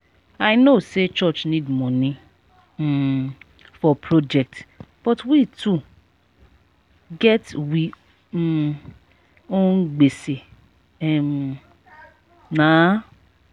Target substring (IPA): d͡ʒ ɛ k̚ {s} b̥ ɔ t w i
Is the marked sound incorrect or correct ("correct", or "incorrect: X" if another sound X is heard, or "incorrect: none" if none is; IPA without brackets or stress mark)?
incorrect: t